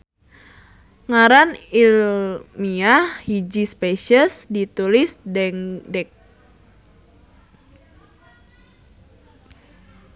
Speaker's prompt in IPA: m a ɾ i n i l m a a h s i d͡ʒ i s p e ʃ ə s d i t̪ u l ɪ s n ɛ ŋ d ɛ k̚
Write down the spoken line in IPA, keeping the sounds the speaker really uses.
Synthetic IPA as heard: ŋ a ɾ a n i l m i a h h i d͡ʒ i s p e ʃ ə s d i t̪ u l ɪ s d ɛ ŋ d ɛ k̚

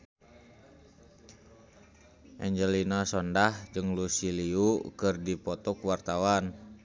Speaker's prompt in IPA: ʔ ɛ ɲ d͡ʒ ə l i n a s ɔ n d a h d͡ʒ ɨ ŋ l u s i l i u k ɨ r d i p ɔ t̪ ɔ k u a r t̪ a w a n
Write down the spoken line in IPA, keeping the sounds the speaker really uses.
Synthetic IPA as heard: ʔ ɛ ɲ d͡ʒ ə l i n a s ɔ n d a h d͡ʒ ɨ ŋ l u s i l i u k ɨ r d i p ɔ t̪ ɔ k w a r t̪ a w a n

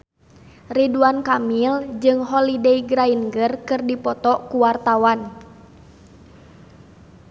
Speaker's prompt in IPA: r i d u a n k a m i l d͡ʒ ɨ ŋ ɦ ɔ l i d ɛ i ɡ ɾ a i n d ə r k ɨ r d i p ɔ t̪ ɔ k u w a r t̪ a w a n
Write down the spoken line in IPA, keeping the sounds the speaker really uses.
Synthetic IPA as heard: r i d u a n k a m i l d͡ʒ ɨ ŋ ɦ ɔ l i d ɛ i ɡ ɾ a i n ɡ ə r k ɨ r d i p ɔ t̪ ɔ k u w a r t̪ a w a n

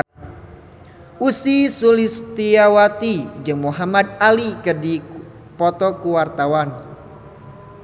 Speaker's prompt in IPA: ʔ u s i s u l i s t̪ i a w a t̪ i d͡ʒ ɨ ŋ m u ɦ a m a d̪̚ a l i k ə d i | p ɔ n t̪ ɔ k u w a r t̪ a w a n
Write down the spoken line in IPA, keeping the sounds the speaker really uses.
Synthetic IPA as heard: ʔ u s i s u l i s t̪ i a w a t̪ i d͡ʒ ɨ ŋ m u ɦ a m a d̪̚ a l i k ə d i | p ɔ t̪ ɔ k u w a r t̪ a w a n

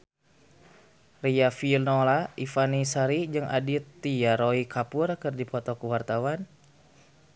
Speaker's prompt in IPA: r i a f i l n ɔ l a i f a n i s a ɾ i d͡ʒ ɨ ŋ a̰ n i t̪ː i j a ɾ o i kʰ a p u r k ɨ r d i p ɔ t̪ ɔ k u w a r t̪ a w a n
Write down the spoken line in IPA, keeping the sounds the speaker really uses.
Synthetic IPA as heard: r i a f i l n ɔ l a i f a n i s a ɾ i d͡ʒ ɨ ŋ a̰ d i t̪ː i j a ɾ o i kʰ a p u r k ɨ r d i p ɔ t̪ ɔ k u w a r t̪ a w a n

